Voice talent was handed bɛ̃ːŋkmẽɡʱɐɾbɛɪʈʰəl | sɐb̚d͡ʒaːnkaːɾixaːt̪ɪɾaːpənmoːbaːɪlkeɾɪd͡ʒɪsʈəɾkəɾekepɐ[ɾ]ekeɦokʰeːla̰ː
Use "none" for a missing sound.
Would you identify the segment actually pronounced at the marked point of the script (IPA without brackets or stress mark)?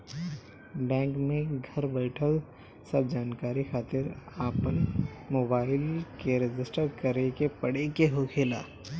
ɽ